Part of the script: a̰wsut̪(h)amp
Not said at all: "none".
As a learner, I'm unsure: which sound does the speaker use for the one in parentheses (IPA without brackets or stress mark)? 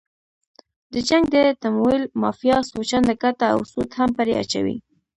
h